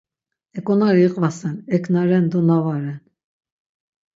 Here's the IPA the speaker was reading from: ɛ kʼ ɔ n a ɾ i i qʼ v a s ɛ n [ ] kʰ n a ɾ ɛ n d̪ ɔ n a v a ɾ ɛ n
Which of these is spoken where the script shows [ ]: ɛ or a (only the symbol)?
ɛ